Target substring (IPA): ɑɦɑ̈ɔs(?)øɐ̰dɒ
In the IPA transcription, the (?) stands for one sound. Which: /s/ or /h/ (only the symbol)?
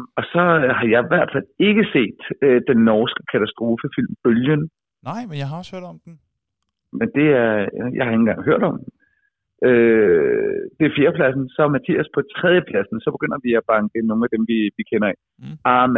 h